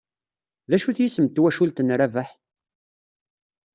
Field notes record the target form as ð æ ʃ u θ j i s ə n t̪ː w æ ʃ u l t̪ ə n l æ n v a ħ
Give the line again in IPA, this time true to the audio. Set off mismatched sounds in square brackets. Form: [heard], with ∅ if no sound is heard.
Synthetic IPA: ð æ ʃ u θ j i s ə [m] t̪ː w æ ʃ u l t̪ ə n [ɾ] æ [∅] v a ħ